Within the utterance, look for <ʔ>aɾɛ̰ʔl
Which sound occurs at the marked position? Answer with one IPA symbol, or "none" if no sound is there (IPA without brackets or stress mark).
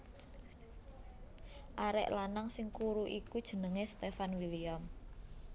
ʔ